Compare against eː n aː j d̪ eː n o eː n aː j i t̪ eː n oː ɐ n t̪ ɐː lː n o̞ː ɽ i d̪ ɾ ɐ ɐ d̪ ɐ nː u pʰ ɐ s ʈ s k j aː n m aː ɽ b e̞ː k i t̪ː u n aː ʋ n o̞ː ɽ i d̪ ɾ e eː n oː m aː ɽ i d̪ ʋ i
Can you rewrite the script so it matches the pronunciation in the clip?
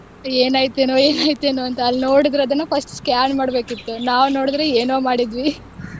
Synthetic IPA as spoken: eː n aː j t̪ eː n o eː n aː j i t̪ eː n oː ɐ n t̪ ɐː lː n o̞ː ɽ i d̪ ɾ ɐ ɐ d̪ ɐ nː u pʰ ɐ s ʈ s k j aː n m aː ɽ b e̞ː k i t̪ː u n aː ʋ n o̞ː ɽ i d̪ ɾ e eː n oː m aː ɽ i d̪ ʋ i

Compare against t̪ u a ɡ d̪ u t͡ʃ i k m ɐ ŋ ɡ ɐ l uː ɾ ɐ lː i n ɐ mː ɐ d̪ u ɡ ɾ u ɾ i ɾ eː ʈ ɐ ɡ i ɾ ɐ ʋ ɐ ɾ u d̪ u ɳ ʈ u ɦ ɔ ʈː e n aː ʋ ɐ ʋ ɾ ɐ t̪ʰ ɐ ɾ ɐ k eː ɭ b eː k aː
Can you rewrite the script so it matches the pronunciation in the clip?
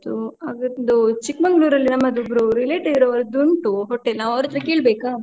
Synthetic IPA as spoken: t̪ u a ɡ d̪ u t͡ʃ i k m ɐ ŋ ɡ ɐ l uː ɾ ɐ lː i n ɐ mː ɐ d̪ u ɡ ɾ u ɾ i l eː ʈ ɐ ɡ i ɾ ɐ ʋ ɐ ɾ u d̪ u ɳ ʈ u ɦ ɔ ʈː e n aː ʋ ɐ ʋ ɾ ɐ t̪ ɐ ɾ ɐ k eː ɭ b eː k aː

